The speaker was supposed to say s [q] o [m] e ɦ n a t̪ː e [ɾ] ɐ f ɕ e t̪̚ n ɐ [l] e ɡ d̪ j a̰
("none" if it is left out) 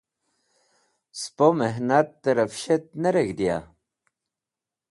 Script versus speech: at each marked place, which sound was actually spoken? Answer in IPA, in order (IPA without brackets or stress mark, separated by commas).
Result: p, m, ɾ, ɾ